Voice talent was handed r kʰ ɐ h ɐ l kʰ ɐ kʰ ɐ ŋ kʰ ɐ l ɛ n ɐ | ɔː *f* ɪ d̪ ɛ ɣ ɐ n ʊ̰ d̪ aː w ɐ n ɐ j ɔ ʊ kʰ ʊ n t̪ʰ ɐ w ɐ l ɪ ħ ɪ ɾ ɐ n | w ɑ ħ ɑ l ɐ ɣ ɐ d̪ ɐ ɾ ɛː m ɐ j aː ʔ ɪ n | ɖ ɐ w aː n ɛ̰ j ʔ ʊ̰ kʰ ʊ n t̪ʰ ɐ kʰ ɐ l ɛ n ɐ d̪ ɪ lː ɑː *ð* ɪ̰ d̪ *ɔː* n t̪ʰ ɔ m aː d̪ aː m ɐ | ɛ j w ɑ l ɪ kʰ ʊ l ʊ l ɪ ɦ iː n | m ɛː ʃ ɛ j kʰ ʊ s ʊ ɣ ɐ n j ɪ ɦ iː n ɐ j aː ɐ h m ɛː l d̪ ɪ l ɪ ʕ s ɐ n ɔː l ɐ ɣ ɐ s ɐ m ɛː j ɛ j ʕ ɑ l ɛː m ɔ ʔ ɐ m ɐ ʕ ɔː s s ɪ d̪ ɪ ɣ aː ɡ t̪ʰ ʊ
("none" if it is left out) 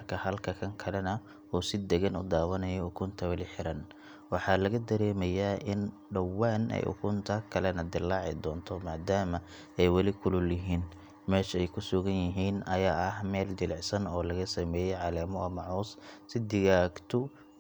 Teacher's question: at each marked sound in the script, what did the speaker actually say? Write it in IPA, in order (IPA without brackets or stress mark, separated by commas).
s, ʕ, ɔː